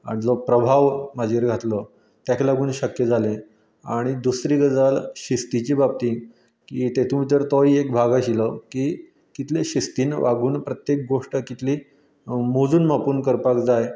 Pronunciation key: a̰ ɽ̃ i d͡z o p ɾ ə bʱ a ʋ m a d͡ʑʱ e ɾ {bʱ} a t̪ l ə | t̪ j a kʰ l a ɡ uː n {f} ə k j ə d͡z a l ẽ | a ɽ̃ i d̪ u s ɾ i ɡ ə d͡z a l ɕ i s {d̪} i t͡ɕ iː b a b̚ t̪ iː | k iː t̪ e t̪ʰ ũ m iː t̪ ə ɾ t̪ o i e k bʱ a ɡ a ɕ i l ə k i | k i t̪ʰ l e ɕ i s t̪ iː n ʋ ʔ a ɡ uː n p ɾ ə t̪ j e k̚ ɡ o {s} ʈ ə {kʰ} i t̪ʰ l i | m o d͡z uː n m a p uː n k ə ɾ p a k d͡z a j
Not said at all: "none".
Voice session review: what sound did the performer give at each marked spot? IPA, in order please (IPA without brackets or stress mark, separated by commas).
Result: ɡʱ, ɕ, t̪, ʂ, k